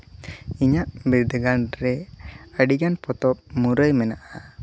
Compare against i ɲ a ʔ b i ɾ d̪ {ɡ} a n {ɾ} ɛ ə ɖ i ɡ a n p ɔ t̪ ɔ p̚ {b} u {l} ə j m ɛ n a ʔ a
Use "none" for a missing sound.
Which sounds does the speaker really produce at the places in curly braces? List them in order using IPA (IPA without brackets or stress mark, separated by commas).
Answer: ɡ, ɾ, m, ɾ